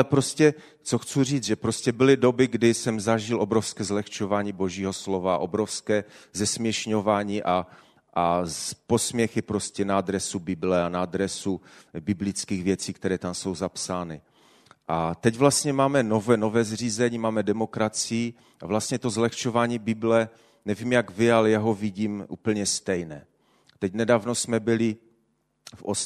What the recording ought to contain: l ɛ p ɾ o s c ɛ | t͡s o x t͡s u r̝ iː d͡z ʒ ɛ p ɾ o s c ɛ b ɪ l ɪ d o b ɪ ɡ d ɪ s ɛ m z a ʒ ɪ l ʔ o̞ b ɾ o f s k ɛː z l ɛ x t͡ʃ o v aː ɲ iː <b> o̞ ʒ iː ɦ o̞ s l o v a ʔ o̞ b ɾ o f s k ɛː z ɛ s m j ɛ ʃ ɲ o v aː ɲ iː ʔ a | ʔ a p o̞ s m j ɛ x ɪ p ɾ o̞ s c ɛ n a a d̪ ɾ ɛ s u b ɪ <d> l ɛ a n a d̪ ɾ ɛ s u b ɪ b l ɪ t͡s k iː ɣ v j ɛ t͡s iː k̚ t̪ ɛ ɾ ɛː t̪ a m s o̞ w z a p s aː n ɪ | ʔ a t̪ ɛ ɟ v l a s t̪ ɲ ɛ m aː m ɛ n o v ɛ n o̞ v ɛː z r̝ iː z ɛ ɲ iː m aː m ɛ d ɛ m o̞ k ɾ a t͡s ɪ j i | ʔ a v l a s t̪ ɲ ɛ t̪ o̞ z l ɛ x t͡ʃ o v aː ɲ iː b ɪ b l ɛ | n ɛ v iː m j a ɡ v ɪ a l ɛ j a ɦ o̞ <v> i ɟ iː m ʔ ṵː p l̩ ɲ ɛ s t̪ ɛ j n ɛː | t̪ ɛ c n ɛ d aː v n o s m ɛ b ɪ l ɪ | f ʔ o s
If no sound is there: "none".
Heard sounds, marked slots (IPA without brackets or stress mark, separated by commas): b, b, v